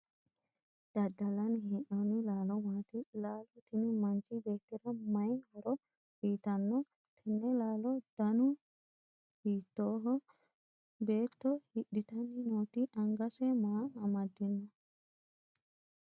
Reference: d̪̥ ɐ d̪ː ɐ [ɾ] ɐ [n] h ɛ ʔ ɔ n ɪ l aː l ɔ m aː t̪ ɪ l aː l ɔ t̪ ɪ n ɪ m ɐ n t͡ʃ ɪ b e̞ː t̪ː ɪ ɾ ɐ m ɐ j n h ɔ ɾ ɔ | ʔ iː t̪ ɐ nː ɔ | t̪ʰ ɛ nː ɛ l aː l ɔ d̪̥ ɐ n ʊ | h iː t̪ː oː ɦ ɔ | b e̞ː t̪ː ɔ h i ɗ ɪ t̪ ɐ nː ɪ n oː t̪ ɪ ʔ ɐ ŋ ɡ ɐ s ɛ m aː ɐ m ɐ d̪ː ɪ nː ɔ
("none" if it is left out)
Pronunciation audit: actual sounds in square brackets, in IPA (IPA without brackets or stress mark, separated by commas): l, n